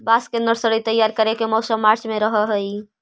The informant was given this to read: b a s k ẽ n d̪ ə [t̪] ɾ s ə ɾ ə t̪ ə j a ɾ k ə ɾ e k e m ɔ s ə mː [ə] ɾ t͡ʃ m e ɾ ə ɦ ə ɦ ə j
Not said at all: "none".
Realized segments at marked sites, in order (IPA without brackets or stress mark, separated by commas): none, a